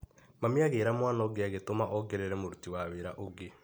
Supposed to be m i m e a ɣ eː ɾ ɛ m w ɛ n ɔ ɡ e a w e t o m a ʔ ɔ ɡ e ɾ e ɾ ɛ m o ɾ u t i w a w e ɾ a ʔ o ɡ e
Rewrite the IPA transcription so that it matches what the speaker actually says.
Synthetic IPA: m a m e a ɣ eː ɾ a m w a n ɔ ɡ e a ɣ e t o m a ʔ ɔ ɡ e ɾ e ɾ ɛ m o ɾ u t i w a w e ɾ a ʔ o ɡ e

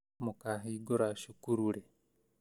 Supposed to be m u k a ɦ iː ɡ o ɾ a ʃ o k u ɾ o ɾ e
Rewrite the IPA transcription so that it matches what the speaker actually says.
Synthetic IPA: m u k a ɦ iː ɡ o ɾ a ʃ u k u ɾ u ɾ e

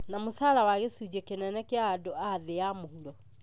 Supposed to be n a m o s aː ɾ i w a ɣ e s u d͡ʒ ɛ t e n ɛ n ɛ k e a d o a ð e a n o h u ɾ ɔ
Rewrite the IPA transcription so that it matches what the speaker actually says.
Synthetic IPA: n a m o s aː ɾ a w a ɣ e s u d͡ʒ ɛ k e n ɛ n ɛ k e a d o a ð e a m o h u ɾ ɔ

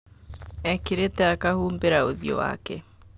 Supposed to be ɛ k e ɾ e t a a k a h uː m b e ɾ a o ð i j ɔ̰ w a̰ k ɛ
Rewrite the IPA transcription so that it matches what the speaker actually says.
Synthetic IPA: ɛ k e ɾ e t ɛ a k a h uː m b e ɾ a o ð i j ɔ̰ w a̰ k ɛ

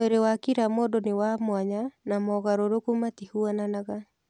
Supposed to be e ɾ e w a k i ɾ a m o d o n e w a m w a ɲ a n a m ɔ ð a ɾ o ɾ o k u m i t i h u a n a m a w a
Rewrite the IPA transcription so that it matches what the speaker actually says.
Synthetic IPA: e ɾ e w a k i ɾ a m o d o n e w a m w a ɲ a n a m ɔ ɣ a ɾ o ɾ o k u m a t i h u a n a n a ɣ a

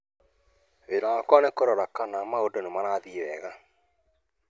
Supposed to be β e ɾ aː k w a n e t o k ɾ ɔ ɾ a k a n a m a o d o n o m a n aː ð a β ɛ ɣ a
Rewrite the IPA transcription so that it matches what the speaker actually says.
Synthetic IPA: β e ɾ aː k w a n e k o ɾ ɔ ɾ a k a n a m a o d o n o m a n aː ð i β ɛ ɣ a

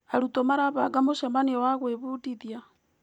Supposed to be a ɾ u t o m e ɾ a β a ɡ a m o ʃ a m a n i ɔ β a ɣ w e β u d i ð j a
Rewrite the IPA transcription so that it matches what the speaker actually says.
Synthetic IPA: a ɾ u t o m a ɾ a β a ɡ a m o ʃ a m a n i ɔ w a ɣ w e β u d i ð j a

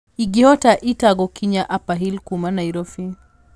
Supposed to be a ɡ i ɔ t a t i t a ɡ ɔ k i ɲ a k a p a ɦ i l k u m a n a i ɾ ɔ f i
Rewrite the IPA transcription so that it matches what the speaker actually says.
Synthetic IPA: i ɡ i ɔ t a ʔ i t a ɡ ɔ k i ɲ a ʔ a p a ɦ i l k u m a n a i ɾ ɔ f i

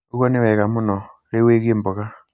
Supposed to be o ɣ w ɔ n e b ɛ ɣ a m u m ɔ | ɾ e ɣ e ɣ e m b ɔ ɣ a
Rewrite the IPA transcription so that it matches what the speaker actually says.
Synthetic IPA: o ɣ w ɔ n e w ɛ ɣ a m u n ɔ | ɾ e w e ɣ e m b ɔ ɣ a

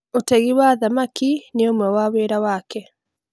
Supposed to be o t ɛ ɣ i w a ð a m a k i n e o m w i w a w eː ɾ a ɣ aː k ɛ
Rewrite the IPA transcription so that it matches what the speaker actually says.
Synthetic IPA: o t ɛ ɣ i w a ð a m a k i n e o m w ɛ w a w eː ɾ a w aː k ɛ

